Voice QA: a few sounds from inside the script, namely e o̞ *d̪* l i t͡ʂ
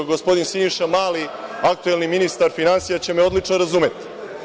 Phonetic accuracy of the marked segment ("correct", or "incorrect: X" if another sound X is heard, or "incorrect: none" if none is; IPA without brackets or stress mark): correct